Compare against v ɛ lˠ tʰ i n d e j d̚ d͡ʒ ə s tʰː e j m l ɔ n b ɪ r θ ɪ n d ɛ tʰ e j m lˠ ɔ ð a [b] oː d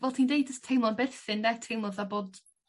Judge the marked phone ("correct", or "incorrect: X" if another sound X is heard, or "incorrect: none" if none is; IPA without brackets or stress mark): correct